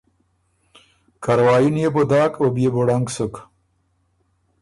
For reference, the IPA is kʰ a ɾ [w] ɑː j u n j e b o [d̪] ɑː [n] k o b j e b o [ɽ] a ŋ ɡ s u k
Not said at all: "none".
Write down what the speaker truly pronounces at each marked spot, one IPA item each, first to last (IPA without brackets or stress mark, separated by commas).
w, d̪, none, ɽ